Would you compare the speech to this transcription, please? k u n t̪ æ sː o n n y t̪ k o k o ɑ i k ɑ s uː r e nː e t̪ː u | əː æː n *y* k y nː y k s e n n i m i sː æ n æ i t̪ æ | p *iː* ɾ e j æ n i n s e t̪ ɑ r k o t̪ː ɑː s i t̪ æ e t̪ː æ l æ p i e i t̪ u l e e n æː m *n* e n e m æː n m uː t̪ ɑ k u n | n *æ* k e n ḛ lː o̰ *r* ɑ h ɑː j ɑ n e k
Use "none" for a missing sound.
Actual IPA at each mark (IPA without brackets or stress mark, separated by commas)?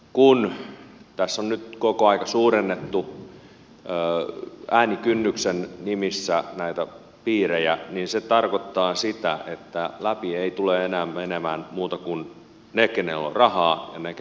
i, iː, m, e, r